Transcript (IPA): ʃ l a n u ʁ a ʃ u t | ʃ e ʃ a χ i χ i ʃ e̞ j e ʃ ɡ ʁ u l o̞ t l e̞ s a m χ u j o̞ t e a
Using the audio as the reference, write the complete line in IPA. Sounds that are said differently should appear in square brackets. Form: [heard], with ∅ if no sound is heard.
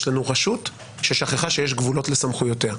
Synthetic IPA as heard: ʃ l a n u ʁ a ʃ u t | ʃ e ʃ a χ [e] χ [a] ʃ e̞ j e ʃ ɡ [v] u l o̞ t l e̞ s a m χ u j o̞ t e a